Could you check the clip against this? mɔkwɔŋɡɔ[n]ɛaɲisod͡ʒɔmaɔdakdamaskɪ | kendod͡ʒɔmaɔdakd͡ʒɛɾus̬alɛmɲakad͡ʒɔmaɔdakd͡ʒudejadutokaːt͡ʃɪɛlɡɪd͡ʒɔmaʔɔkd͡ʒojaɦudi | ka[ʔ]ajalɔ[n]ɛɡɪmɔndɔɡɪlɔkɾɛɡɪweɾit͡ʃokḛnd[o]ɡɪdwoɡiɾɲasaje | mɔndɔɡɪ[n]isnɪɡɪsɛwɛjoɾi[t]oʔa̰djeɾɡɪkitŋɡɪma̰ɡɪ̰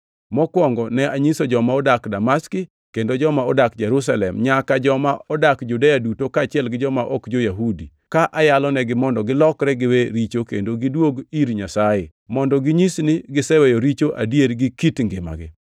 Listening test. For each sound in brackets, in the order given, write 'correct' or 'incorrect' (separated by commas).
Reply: correct, correct, correct, correct, incorrect, incorrect